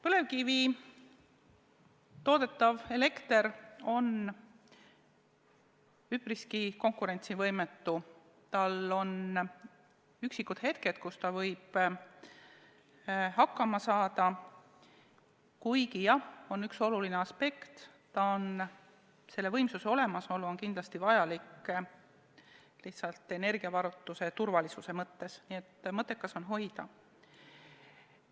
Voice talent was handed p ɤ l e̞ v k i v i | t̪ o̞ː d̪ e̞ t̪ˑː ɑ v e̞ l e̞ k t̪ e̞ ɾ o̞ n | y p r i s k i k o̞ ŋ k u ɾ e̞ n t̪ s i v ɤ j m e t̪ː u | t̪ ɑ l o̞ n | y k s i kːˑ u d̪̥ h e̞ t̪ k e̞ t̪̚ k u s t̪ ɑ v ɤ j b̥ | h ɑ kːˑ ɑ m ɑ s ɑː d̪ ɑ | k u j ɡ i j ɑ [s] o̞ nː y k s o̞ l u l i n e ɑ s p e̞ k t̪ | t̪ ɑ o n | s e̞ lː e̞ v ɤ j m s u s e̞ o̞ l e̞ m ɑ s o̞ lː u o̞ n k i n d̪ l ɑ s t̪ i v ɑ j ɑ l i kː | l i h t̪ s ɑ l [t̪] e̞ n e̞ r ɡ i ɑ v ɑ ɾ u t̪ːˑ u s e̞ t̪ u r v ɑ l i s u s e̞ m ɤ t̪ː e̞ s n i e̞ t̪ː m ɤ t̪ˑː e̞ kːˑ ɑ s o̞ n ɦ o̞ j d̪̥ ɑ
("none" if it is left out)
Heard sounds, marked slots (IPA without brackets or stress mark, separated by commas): h, t̪